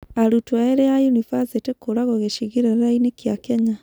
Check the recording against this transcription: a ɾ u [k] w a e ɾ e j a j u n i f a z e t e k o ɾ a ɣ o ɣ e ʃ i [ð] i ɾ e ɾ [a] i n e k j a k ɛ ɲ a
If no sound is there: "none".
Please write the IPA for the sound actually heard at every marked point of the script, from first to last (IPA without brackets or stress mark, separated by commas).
t, ɣ, a